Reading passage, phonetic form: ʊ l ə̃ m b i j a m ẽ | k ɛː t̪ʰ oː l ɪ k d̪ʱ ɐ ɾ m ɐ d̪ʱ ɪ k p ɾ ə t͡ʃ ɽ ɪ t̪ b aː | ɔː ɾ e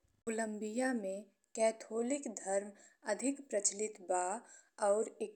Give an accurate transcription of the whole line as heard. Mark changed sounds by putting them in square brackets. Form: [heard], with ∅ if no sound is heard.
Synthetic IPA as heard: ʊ l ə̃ m b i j a m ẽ | k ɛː t̪ʰ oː l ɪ k d̪ʱ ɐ ɾ m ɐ d̪ʱ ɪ k p ɾ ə t͡ʃ [l] ɪ t̪ b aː | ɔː ɾ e